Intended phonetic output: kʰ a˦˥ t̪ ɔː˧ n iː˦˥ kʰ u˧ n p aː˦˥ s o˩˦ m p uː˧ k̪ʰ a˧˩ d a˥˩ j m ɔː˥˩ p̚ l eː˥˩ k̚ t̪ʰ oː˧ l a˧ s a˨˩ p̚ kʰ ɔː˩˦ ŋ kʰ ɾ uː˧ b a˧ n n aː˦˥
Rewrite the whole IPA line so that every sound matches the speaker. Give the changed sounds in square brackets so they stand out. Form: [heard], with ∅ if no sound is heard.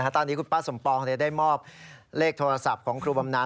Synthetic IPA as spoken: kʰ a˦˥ t̪ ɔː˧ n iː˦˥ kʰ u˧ n p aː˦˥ s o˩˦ m p [ɔː˧] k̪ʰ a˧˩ d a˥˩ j m ɔː˥˩ p̚ l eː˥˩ k̚ t̪ʰ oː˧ [ɾ] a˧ s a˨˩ p̚ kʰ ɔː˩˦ ŋ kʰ ɾ uː˧ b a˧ [m] n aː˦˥